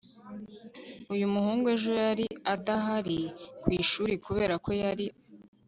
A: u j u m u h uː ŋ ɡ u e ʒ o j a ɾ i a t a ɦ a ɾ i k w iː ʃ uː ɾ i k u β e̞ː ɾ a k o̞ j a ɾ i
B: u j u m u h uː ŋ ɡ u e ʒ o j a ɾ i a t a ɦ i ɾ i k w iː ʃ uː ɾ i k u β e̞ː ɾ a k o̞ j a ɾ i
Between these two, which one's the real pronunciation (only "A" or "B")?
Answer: A